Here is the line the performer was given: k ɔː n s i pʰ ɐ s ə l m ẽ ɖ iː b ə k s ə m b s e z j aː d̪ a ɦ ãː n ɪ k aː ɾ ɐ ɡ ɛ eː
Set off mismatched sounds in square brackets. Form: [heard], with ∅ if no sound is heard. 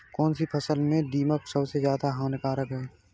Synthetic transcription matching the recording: k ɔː n s i pʰ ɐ s ə l m ẽ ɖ iː [m] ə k s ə [∅] b s e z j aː d̪ a ɦ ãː n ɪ k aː ɾ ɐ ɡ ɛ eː